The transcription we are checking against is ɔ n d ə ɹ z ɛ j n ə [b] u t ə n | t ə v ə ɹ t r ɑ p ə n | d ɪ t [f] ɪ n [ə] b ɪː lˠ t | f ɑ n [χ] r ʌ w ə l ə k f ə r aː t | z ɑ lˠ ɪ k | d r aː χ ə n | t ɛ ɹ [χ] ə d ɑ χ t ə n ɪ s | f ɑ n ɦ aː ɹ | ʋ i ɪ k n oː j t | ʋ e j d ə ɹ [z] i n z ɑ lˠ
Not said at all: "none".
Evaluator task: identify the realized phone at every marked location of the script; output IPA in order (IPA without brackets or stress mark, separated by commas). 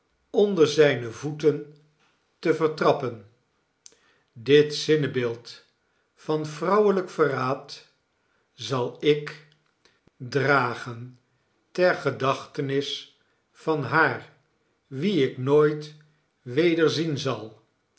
v, s, ə, f, χ, z